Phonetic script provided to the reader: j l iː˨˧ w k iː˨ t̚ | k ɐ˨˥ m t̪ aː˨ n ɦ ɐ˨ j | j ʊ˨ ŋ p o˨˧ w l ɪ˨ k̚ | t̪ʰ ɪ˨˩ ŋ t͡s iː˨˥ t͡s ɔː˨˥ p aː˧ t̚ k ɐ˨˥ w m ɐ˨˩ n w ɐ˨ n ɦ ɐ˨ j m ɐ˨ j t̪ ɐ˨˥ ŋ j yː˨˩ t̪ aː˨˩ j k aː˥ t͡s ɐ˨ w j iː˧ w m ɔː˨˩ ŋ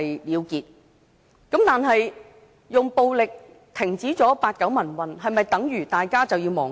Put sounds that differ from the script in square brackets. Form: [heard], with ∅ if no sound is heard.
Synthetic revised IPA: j l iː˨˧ w k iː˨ t̚ | k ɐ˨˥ m t̪ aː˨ n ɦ ɐ˨ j | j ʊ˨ ŋ p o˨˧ w l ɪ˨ k̚ | t̪ʰ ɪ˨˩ ŋ t͡s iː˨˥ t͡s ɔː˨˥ p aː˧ t̚ k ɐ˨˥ w m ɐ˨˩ n w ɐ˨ n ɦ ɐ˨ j m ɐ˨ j t̪ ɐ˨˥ ŋ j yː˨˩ t̪ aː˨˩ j k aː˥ t͡s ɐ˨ w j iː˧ w m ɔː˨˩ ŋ